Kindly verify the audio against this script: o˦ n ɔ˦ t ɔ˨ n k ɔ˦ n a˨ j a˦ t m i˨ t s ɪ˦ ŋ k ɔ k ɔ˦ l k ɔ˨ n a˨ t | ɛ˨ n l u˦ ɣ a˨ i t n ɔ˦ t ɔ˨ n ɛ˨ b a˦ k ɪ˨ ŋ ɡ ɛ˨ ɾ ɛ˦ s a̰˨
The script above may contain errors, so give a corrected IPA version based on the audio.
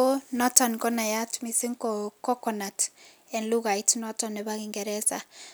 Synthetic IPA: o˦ n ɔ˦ t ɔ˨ n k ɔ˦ n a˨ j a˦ t m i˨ s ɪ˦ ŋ k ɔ k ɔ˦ k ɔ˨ n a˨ t | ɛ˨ n l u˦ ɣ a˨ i t n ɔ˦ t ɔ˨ n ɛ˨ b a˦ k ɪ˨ ŋ ɡ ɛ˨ ɾ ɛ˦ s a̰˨